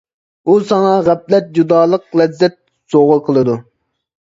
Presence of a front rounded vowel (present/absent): absent